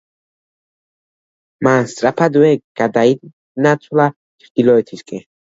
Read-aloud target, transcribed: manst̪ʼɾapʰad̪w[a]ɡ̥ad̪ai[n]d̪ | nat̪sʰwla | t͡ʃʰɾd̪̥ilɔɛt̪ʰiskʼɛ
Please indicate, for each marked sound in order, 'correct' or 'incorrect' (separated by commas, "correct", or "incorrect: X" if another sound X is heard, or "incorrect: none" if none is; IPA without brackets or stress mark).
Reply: incorrect: ɛ, incorrect: none